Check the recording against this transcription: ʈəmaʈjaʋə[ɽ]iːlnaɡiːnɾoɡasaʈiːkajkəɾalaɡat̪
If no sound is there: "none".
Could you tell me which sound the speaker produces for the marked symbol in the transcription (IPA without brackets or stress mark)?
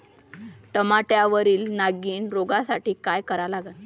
ɾ